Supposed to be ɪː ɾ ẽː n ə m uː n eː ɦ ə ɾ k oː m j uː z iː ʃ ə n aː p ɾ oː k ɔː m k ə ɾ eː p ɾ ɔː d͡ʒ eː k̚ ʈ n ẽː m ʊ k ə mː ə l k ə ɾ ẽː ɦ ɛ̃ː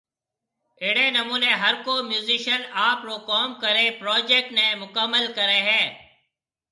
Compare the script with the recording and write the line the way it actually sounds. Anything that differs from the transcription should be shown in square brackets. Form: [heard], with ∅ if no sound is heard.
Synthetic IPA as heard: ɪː [ɽ] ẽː n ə m uː n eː ɦ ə ɾ k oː m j uː z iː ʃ ə n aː p ɾ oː k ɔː m k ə ɾ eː p ɾ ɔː d͡ʒ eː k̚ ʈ n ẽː m ʊ k ə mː ə l k ə ɾ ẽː ɦ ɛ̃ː